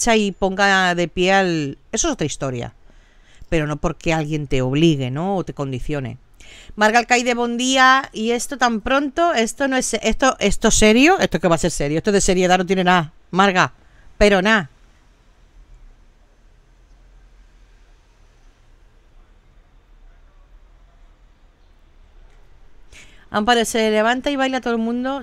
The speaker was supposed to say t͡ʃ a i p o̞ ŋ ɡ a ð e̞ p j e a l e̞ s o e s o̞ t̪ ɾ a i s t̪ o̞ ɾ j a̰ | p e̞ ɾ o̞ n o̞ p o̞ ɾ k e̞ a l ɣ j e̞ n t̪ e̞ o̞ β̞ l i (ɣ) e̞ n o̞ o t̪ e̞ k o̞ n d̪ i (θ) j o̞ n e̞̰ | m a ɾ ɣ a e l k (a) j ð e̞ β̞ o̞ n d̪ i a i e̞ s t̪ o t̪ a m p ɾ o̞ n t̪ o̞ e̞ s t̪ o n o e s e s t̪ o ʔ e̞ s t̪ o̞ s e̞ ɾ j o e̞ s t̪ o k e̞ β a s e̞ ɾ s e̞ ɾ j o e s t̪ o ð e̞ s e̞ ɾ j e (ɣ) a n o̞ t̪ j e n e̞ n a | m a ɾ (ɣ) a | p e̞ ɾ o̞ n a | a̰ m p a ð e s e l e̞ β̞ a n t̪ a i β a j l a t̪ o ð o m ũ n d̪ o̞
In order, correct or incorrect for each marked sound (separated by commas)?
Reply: correct, correct, correct, incorrect, correct